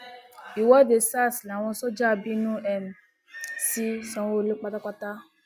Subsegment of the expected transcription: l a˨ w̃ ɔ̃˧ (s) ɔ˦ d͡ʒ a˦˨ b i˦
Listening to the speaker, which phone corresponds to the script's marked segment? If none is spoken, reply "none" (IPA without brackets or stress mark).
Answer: s